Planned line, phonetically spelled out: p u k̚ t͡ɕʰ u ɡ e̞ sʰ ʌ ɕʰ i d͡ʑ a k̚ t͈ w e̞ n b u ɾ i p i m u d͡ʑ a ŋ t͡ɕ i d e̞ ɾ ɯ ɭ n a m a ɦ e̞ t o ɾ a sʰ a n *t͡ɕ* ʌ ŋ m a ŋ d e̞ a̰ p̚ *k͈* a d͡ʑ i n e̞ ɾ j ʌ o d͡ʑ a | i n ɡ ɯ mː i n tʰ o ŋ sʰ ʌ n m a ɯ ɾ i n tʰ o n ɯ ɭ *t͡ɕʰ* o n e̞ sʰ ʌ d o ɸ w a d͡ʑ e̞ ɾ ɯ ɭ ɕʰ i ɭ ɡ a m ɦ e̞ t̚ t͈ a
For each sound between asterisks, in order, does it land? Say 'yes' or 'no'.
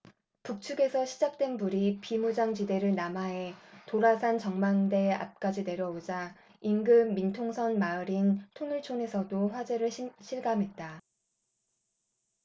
yes, yes, yes

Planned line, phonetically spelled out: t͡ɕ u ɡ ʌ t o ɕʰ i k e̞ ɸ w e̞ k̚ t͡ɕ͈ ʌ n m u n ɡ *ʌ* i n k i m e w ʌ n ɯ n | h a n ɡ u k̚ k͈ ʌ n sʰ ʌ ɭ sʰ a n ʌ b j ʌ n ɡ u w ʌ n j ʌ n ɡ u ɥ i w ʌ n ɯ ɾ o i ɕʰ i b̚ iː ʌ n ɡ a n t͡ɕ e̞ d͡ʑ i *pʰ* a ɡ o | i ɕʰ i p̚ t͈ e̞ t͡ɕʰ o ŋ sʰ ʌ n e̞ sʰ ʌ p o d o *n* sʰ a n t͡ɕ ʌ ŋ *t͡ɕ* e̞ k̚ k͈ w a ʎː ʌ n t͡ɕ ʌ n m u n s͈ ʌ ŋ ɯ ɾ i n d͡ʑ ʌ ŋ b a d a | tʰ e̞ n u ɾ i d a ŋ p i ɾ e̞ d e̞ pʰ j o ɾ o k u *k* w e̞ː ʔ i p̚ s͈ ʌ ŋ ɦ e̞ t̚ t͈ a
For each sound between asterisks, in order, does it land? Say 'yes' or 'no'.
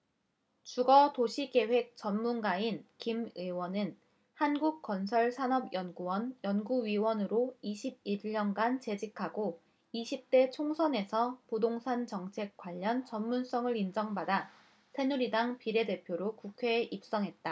no, no, no, no, no

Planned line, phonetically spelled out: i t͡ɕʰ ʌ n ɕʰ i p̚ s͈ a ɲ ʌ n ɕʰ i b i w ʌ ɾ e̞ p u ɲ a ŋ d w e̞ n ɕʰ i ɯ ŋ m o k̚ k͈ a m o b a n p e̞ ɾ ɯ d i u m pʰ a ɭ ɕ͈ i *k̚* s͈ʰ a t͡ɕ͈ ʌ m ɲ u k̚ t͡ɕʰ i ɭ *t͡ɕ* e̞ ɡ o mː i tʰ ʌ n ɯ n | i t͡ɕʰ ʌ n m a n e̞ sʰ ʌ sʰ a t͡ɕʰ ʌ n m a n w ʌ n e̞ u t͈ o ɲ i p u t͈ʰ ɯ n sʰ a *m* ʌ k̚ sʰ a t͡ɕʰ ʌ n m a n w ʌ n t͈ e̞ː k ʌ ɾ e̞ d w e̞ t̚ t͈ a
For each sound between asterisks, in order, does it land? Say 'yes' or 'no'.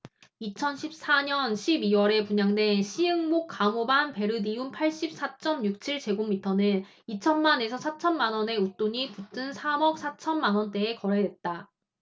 no, yes, yes

